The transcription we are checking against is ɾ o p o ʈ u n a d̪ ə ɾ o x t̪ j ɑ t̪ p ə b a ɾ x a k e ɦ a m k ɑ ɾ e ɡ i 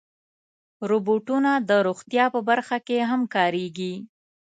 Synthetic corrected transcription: ɾ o b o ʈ u n a d̪ ə ɾ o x t̪ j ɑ p ə b a ɾ x a k e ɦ a m k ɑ ɾ e ɡ i